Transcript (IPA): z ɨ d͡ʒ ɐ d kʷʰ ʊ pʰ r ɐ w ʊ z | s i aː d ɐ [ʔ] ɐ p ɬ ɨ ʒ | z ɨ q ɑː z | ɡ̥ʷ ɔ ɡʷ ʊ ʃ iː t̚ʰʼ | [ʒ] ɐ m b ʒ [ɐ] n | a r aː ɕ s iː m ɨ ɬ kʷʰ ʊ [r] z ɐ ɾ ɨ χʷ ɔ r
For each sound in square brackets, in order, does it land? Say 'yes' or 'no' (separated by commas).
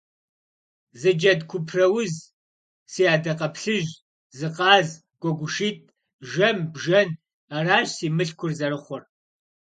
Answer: no, yes, yes, yes